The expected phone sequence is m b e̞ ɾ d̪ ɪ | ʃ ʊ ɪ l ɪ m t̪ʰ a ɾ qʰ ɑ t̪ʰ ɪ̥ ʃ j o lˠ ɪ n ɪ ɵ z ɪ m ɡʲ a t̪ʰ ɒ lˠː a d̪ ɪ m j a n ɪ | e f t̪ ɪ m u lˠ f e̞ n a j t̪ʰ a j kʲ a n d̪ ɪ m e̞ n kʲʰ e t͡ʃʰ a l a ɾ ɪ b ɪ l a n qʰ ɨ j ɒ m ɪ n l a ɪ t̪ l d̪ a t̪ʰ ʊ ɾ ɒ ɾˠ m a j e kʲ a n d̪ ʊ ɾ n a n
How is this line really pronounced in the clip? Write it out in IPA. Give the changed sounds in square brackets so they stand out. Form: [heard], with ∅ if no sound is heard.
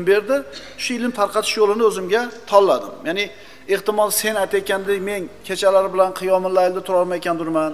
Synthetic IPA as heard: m b e̞ ɾ d̪ ɪ | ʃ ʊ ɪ l ɪ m t̪ʰ a ɾ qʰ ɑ t̪ʰ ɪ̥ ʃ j o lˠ ɪ n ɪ ɵ z ɪ m ɡʲ a t̪ʰ ɒ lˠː a d̪ ɪ m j a n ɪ | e [h] t̪ ɪ m [ɒ] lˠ [s] e̞ n a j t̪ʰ a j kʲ a n d̪ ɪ m e̞ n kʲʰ e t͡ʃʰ a l a ɾ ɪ b ɪ l a n qʰ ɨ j ɒ m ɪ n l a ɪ [∅] l d̪ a t̪ʰ ʊ ɾ ɒ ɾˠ m a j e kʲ a n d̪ ʊ ɾ [m] a n

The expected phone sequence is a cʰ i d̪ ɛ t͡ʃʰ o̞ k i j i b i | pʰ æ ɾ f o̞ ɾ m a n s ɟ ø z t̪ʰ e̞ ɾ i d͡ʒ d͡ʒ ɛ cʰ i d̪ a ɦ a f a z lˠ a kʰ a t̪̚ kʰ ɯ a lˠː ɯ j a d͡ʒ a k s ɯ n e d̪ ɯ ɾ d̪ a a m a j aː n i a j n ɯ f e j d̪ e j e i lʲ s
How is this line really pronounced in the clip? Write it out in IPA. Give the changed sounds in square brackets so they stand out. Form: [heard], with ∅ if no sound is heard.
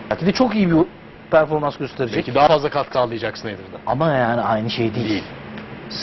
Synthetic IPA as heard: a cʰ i d̪ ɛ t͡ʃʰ o̞ k i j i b i | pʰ æ ɾ f o̞ ɾ m a n s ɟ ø [s] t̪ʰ e̞ ɾ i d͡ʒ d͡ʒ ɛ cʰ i d̪ a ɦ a f a z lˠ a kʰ a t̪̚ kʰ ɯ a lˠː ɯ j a d͡ʒ a k s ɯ n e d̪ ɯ ɾ d̪ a a m a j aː n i a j n ɯ [ʃ] e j d̪ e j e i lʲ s

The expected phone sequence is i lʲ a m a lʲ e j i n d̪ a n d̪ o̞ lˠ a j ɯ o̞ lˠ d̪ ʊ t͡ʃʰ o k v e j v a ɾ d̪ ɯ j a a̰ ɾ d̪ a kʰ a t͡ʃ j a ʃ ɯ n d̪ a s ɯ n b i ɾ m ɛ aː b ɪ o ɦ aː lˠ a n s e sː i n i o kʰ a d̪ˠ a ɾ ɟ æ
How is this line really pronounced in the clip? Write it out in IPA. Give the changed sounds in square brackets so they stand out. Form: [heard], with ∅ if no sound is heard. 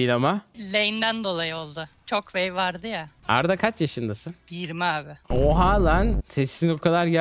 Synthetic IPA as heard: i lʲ a m a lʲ e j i n d̪ [æ] n d̪ o̞ lˠ a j ɯ o̞ lˠ d̪ ʊ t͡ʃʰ o k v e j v a ɾ d̪ ɯ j a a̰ ɾ d̪ a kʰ a t͡ʃ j a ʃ ɯ n d̪ a s ɯ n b i ɾ m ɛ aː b ɪ o ɦ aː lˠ a n s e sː i n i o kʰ a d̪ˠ a ɾ ɟ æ

